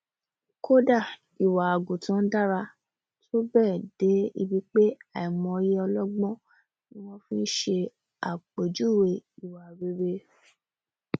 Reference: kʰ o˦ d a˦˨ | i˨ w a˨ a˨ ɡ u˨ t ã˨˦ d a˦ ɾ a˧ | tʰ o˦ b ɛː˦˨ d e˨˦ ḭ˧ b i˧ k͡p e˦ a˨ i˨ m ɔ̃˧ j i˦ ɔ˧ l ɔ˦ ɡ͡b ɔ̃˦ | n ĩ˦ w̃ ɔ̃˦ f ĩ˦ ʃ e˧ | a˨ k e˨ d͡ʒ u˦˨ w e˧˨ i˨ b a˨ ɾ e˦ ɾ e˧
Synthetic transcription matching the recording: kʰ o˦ d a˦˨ | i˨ w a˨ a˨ ɡ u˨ t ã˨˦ d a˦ ɾ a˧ | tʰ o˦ b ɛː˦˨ d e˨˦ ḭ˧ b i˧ k͡p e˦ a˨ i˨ m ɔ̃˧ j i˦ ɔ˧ l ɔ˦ ɡ͡b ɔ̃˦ | n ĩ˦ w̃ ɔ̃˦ f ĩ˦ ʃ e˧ | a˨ k͡p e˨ d͡ʒ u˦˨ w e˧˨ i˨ w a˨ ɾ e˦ ɾ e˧